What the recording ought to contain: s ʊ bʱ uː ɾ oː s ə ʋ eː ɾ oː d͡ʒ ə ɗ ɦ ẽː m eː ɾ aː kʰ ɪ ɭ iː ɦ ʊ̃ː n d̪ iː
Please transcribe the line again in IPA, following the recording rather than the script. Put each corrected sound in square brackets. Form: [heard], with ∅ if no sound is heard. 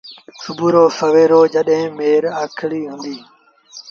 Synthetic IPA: s ʊ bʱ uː ɾ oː s ə ʋ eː ɾ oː d͡ʒ ə ɗ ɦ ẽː m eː ɾ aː kʰ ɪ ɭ iː ɦ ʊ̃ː n d̪ iː